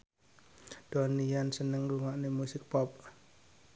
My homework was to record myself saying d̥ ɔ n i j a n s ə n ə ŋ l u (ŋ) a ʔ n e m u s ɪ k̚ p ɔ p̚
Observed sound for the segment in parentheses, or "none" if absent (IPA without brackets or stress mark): ŋ